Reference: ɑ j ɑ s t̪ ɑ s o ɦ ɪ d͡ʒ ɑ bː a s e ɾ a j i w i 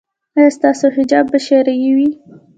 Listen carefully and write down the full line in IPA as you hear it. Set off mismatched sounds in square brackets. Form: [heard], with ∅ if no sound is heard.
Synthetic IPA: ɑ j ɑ s t̪ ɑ s o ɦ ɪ d͡ʒ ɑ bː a [ʃ] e ɾ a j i w i